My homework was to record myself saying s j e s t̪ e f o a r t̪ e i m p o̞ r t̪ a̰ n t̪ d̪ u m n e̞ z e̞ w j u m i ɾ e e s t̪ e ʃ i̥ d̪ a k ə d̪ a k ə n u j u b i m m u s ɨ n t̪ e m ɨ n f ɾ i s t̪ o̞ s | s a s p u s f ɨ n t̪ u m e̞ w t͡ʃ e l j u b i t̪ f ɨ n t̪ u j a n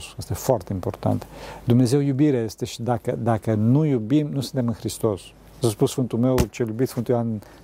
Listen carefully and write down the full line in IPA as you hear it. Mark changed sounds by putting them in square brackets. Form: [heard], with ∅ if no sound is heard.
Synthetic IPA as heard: s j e s t̪ e f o a r t̪ e i m p o̞ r t̪ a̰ n t̪ d̪ u m n e̞ z e̞ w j u [b] i ɾ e e s t̪ e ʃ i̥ d̪ a k ə d̪ a k ə n u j u b i m [n] u s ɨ n t̪ e m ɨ n [x] ɾ i s t̪ o̞ s | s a s p u s f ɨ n t̪ u m e̞ w t͡ʃ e l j u b i t̪ f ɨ n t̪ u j a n